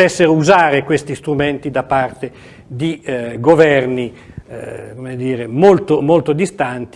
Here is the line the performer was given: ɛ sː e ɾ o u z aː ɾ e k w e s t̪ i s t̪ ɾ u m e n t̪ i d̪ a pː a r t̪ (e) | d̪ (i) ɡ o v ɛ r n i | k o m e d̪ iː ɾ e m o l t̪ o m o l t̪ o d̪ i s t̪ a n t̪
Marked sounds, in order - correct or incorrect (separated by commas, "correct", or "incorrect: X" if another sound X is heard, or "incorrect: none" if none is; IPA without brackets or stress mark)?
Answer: correct, correct